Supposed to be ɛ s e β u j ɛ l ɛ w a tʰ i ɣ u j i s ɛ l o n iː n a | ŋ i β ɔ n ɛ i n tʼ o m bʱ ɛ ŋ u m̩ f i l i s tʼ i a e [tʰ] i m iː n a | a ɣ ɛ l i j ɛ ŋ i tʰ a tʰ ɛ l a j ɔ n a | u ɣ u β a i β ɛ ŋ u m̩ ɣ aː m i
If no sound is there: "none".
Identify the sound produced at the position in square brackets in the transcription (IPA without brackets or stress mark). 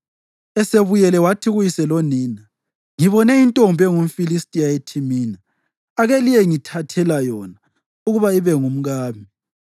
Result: tʰ